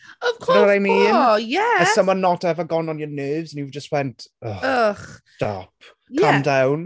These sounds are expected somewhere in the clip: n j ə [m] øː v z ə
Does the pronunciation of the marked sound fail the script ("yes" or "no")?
yes